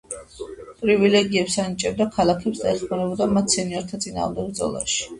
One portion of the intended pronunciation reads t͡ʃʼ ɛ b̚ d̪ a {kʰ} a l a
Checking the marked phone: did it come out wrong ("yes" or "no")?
no